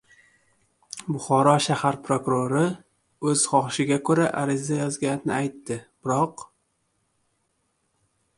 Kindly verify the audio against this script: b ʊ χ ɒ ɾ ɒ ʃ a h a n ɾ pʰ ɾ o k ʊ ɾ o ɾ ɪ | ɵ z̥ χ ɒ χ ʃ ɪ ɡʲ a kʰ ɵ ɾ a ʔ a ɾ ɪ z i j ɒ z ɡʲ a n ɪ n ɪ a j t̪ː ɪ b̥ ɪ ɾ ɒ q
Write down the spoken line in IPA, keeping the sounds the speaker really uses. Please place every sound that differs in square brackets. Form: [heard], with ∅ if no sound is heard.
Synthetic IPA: b ʊ χ ɒ ɾ ɒ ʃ a h a [∅] ɾ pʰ ɾ o k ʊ ɾ o ɾ ɪ | ɵ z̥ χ ɒ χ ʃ ɪ ɡʲ a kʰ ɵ ɾ a ʔ a ɾ ɪ z [a] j ɒ z ɡʲ a n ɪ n ɪ a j t̪ː ɪ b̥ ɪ ɾ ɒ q